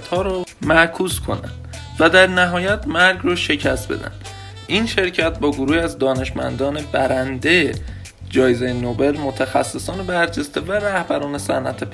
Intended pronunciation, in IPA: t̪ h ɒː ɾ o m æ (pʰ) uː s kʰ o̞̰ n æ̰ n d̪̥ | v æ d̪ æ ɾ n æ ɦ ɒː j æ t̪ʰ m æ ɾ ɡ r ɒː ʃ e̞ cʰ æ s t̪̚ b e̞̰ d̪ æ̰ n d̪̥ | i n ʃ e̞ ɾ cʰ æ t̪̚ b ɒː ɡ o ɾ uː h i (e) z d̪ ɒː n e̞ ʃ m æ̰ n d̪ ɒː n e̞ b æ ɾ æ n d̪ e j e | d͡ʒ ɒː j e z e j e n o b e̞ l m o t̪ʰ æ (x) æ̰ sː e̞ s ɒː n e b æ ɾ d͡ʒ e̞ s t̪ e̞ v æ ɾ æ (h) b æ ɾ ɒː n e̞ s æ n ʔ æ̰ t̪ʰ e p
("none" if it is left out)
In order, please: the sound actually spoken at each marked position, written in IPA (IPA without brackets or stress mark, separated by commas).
kʰ, æ, x, h